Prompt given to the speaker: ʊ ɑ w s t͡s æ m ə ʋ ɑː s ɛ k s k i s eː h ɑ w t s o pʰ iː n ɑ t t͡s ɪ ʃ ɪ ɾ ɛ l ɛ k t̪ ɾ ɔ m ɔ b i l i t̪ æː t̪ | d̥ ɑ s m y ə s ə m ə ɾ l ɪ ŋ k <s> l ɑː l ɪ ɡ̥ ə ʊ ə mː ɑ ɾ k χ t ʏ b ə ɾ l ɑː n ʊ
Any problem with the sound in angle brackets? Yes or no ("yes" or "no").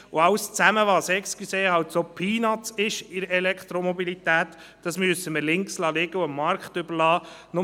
no